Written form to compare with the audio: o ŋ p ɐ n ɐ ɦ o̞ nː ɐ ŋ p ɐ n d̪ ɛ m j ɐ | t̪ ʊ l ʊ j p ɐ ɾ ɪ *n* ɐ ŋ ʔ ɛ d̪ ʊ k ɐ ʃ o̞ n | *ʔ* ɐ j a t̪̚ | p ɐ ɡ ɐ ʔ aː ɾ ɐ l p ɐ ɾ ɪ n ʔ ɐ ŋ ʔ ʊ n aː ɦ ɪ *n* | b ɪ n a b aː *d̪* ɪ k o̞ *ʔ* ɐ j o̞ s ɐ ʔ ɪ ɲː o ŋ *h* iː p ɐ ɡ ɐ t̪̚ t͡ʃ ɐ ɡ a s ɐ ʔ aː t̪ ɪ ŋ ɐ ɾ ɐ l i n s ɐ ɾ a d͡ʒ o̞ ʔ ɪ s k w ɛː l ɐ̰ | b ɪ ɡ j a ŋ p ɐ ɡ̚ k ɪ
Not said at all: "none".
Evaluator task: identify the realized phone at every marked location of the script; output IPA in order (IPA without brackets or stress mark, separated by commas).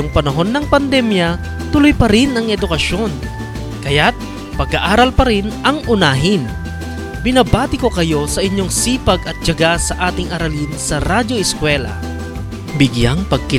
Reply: n, k, n, t̪, k, s